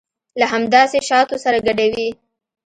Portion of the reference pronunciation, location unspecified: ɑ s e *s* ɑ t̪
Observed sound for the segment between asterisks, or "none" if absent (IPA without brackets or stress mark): ʃ